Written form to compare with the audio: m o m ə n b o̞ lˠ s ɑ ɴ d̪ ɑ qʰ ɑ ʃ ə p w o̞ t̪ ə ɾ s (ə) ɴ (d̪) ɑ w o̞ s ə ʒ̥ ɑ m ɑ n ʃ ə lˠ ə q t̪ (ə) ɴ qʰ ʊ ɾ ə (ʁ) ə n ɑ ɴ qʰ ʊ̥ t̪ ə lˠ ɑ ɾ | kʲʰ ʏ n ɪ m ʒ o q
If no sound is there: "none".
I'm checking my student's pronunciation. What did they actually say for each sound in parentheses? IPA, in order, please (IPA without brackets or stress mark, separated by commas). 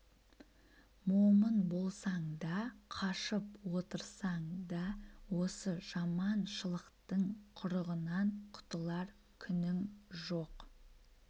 ɑ, d̪, ə, ʁ